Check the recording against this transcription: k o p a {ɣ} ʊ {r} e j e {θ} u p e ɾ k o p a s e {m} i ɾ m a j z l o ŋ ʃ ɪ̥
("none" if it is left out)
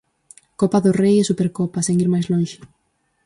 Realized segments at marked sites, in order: ð, r, s, ŋ

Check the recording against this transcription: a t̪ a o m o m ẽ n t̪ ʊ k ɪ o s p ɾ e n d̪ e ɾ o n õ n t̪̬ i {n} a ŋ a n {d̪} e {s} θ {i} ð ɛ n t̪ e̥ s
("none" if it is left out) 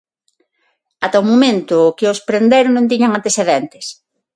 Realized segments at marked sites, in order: ɲ, t̪, s, e

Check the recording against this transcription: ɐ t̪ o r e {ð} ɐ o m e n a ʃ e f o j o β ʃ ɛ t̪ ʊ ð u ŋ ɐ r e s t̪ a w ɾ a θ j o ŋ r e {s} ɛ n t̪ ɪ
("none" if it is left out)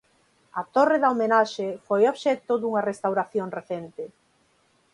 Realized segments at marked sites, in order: ð, θ

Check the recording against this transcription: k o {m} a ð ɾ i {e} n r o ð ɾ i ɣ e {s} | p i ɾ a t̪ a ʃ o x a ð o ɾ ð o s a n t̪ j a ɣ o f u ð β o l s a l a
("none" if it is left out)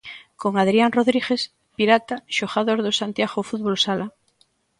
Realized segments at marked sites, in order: ŋ, a, s

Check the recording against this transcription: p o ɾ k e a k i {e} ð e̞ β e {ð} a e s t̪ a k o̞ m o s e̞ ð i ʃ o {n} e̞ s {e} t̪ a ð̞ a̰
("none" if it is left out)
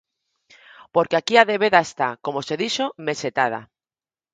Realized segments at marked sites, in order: a, ð, m, e

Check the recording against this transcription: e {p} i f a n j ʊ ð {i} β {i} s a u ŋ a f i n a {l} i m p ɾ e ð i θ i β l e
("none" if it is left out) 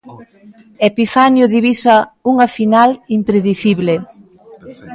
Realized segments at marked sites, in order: p, i, i, l

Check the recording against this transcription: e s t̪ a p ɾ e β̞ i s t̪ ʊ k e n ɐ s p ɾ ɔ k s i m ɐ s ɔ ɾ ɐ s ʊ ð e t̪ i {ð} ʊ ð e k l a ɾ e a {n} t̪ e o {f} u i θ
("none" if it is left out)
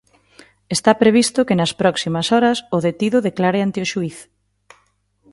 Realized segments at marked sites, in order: ð, n, ʃ

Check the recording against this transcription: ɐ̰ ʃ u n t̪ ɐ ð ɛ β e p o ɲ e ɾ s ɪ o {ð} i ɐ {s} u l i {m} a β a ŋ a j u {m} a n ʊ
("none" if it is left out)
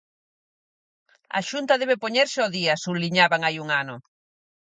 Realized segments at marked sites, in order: ð, s, ɲ, ŋ

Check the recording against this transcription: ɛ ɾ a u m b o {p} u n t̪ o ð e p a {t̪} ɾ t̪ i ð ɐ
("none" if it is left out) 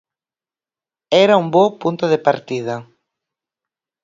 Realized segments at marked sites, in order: p, none

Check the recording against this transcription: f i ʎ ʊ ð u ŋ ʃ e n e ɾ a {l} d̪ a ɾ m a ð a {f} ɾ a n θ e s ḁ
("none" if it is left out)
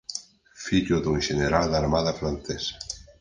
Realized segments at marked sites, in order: l, f

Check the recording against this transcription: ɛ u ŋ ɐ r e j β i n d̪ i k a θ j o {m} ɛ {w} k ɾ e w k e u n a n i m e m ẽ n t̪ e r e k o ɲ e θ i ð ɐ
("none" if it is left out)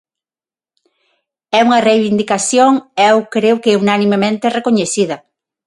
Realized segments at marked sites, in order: ŋ, w

